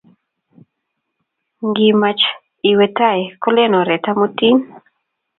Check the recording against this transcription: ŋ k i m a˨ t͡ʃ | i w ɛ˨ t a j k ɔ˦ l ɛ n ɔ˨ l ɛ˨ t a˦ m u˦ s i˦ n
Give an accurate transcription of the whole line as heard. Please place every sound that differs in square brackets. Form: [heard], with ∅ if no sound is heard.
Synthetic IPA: ŋ [ɡ] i m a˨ t͡ʃ | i w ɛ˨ t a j k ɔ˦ l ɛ n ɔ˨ [ɾ] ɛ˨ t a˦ m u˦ [t] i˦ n